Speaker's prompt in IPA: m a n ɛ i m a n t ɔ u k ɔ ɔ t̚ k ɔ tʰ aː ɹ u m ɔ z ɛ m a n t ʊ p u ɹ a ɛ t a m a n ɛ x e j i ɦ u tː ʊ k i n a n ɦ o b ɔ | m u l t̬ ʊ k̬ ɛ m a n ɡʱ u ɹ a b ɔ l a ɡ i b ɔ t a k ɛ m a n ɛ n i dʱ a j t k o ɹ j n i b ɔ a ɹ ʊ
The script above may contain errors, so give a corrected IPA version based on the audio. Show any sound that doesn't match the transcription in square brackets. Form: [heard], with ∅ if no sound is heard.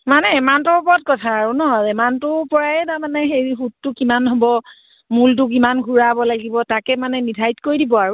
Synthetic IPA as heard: m a n ɛ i m a n t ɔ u [p] ɔ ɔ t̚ k ɔ tʰ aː ɹ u [n] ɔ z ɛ m a n t ʊ p [ɔ] ɹ a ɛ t a m a n ɛ x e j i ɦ u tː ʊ k i [m] a n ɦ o b ɔ | m u l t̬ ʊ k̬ [i] m a n ɡʱ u ɹ a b ɔ l a ɡ i b ɔ t a k ɛ m a n ɛ n i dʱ a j t k o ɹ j [d] i b ɔ a ɹ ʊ